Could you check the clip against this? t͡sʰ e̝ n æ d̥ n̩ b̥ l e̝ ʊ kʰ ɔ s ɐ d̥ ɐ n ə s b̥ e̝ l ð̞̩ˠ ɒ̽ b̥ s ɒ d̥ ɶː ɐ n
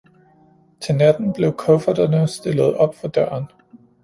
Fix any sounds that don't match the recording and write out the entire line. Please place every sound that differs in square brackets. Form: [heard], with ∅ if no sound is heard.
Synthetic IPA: t͡sʰ e̝ n æ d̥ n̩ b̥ l e̝ ʊ kʰ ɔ [f] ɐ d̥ ɐ n ə s [d̥] e̝ l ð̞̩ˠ ɒ̽ b̥ [f] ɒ d̥ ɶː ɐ n

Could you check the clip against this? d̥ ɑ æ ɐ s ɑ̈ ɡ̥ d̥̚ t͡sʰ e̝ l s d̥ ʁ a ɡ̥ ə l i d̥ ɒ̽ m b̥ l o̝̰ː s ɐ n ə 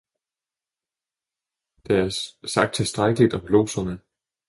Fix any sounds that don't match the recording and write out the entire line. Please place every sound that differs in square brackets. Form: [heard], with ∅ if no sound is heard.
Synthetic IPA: d̥ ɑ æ ɐ s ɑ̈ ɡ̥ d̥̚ t͡sʰ e̝ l s d̥ ʁ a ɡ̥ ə l i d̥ ɒ̽ m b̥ l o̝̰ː s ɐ n ə

